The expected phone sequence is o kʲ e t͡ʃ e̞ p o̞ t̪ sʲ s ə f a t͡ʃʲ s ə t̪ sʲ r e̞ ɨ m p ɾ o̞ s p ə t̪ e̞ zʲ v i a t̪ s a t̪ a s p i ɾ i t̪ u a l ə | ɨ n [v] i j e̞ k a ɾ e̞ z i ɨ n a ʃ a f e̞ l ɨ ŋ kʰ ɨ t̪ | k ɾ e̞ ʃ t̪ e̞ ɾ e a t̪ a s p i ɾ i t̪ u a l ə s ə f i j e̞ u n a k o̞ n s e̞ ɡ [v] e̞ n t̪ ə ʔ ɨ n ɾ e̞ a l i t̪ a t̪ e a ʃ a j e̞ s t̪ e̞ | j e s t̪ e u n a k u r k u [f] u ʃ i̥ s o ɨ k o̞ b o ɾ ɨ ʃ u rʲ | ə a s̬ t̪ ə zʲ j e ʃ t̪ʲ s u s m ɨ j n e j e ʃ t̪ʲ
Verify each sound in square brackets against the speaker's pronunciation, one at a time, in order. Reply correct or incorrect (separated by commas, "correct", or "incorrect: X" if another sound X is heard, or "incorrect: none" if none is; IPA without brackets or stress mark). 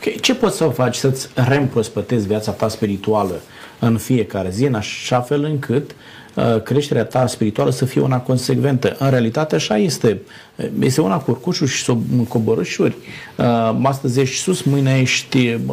incorrect: f, correct, incorrect: ʃ